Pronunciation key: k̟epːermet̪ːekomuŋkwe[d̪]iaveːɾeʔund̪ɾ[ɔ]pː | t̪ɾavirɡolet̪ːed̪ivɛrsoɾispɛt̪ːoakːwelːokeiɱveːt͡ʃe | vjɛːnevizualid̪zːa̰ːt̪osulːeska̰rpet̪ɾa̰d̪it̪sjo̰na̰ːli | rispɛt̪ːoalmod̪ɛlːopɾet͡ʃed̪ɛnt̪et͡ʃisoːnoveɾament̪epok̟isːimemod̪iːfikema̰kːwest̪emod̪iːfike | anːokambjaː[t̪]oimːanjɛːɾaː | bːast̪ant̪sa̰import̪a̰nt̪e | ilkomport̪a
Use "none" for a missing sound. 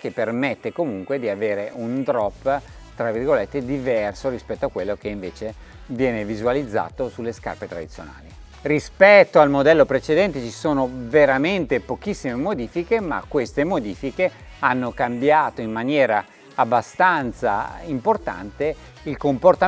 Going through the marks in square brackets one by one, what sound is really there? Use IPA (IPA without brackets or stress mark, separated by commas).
d̪, ɔ, t̪